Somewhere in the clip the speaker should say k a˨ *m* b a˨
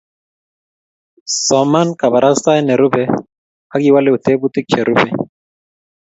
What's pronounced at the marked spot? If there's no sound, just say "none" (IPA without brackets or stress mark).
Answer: none